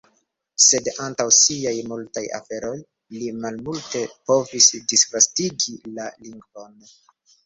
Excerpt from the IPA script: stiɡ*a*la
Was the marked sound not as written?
yes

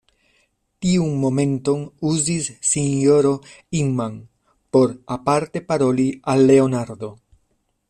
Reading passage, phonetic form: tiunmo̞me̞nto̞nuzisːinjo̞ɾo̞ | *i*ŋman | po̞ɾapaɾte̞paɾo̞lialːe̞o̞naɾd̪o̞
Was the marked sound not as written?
no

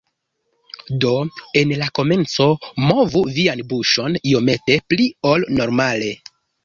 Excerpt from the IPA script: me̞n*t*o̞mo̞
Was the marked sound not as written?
yes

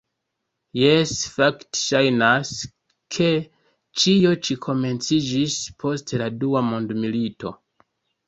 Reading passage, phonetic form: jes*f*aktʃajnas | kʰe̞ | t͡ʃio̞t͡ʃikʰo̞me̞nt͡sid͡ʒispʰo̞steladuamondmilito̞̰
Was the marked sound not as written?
no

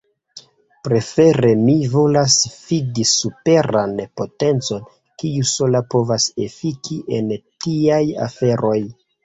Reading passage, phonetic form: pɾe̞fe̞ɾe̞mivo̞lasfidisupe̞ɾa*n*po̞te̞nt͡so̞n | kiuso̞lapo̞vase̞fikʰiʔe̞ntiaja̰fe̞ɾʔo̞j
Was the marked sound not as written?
no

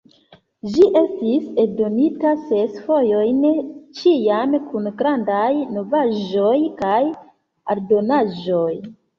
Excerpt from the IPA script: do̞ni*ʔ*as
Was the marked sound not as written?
yes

